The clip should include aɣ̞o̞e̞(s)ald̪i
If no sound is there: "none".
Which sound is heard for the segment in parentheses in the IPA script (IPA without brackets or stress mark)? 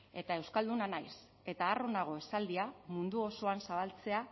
s